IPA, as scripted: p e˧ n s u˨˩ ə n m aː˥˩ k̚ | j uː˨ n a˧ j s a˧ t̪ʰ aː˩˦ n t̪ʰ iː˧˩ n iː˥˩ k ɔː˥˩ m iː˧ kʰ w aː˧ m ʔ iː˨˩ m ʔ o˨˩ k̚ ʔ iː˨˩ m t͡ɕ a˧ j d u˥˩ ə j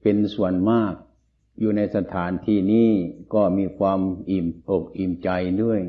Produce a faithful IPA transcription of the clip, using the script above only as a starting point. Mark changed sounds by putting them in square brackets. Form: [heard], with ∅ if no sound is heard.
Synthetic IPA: p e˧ n s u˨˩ ə n m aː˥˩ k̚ | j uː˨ n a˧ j s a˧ t̪ʰ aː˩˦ n t̪ʰ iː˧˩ n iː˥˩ k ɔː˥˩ m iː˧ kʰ w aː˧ m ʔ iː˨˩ m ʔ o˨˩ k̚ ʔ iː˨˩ m t͡ɕ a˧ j d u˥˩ ə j